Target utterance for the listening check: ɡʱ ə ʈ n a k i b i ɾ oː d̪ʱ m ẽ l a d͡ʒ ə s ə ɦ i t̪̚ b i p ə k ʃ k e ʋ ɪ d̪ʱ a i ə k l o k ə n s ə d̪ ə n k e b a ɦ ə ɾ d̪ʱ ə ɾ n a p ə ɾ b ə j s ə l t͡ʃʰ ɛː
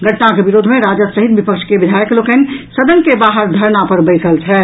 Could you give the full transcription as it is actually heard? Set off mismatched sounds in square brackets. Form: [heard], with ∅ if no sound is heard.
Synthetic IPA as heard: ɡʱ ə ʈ n a k [e] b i ɾ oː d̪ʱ m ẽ [ɾ] a d͡ʒ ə s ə ɦ i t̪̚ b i p ə k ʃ k e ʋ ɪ d̪ʱ a [j] ə k l o k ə n s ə d̪ ə n k e b a ɦ ə ɾ d̪ʱ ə ɾ n a p ə ɾ b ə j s ə l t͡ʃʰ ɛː